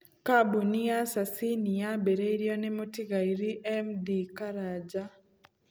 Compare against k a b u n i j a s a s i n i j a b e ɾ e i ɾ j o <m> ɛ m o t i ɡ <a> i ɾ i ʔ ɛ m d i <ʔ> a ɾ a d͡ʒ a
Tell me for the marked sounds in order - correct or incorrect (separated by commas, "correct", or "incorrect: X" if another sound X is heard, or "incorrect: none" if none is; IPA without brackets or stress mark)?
incorrect: n, correct, incorrect: k